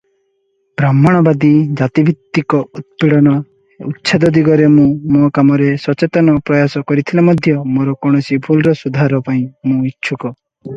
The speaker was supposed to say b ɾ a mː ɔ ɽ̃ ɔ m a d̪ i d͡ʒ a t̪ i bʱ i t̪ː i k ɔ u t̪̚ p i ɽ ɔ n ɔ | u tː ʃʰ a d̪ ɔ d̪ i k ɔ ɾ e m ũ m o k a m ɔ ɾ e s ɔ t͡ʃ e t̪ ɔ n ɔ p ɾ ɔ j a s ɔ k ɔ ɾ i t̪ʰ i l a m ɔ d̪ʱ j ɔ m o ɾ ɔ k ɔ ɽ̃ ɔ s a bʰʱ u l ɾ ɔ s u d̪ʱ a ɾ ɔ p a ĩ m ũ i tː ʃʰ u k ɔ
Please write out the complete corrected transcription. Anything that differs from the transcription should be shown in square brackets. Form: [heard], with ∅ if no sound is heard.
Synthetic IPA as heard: b ɾ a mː ɔ ɽ̃ ɔ [b] a d̪ i d͡ʒ a t̪ i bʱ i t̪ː i k ɔ u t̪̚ p i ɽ ɔ n ɔ | u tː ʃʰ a d̪ ɔ d̪ i [ɡ] ɔ ɾ e m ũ m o k a m ɔ ɾ e s ɔ t͡ʃ e t̪ ɔ n ɔ p ɾ ɔ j a s ɔ k ɔ ɾ i t̪ʰ i l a m ɔ d̪ʱ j ɔ m o ɾ ɔ k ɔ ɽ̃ ɔ s [i] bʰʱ u l ɾ ɔ s u d̪ʱ a ɾ ɔ p a ĩ m ũ i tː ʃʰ u k ɔ

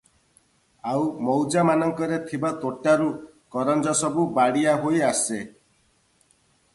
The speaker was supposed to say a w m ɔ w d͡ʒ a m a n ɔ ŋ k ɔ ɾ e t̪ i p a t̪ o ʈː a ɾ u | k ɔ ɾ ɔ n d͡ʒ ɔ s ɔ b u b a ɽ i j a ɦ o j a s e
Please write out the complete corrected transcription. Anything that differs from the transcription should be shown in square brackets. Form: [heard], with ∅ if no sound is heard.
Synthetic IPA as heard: a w m ɔ w d͡ʒ a m a n ɔ ŋ k ɔ ɾ e [t̪ʰ] i [b] a t̪ o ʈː a ɾ u | k ɔ ɾ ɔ n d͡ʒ ɔ s ɔ b u b a ɽ i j a ɦ o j a s e

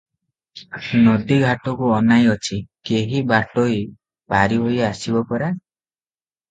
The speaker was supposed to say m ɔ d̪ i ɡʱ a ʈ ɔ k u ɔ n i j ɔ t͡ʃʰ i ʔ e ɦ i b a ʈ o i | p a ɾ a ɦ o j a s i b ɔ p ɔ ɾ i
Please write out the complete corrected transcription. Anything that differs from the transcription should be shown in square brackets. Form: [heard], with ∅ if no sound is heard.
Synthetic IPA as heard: [n] ɔ d̪ i ɡʱ a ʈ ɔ k u ɔ n [a] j ɔ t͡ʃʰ i [k] e ɦ i b a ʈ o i | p a ɾ [i] ɦ o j a s i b ɔ p ɔ ɾ [a]

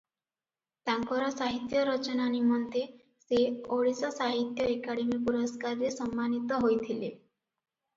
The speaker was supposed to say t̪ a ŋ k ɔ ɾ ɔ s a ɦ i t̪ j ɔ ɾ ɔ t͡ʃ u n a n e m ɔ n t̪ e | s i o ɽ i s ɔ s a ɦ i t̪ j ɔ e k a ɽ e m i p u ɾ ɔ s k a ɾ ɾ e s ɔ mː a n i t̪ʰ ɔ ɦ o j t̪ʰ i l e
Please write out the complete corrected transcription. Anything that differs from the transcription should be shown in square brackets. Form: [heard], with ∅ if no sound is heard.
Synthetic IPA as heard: t̪ a ŋ k ɔ ɾ ɔ s a ɦ i t̪ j ɔ ɾ ɔ t͡ʃ [ɔ] n a n [i] m ɔ n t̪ e | s [e] o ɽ i s ɔ s a ɦ i t̪ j ɔ e k a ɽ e m i p u ɾ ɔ s k a ɾ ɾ e s ɔ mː a n i [t̪] ɔ ɦ o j t̪ʰ i l e

